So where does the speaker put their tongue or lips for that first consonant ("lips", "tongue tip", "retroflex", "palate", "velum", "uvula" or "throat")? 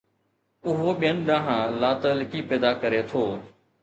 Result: throat